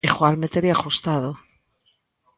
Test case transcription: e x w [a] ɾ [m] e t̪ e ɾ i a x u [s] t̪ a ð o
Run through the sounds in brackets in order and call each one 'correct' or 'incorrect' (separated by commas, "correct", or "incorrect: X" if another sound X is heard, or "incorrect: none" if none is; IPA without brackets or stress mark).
correct, correct, correct